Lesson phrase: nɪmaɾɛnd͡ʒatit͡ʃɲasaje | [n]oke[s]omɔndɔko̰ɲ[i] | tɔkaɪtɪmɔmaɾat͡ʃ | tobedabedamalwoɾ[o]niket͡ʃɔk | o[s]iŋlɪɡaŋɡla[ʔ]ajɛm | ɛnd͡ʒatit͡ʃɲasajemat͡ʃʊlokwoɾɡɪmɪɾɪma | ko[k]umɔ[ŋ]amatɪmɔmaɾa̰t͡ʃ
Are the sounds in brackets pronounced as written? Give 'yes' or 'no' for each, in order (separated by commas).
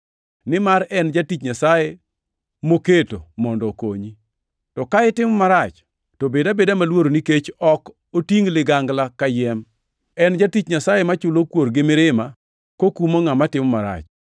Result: no, no, yes, yes, no, no, yes, yes